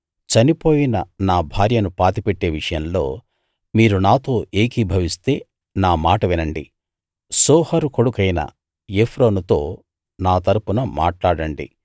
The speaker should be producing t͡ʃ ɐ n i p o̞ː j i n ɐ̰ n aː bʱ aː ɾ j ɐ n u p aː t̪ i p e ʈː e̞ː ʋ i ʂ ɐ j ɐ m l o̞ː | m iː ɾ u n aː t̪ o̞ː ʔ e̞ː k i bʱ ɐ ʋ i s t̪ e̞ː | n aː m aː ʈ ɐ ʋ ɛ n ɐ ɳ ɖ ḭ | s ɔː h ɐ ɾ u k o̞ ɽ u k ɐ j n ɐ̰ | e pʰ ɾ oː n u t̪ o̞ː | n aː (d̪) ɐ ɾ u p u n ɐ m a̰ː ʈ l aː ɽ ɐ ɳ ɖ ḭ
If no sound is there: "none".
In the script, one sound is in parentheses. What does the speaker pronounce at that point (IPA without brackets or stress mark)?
t̪